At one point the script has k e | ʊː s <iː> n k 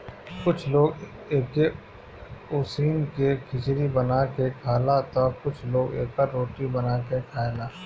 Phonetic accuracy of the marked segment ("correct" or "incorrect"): correct